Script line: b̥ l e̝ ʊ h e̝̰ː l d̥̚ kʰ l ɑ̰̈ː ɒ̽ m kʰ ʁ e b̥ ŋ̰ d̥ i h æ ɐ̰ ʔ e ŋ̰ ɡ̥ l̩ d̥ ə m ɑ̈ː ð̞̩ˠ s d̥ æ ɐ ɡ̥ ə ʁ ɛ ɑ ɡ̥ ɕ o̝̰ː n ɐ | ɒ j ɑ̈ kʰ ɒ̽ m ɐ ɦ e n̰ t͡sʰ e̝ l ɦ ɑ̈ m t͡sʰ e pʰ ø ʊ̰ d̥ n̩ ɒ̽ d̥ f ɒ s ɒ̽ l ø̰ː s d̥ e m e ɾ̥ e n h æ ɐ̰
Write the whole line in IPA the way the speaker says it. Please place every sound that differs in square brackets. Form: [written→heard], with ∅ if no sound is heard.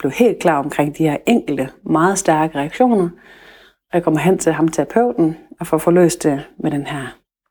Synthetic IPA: b̥ l e̝ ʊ h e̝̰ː l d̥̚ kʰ l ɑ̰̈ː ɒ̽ m kʰ ʁ e [b̥→∅] ŋ̰ d̥ i h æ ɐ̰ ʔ e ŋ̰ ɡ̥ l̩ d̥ ə m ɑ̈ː ð̞̩ˠ s d̥ æ ɐ ɡ̥ ə ʁ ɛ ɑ ɡ̥ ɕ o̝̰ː n ɐ | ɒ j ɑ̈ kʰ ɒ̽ m ɐ ɦ e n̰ t͡sʰ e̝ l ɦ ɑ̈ m t͡sʰ e pʰ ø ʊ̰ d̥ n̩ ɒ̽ [d̥→∅] f ɒ [s→f] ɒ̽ l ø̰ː s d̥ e m e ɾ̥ e n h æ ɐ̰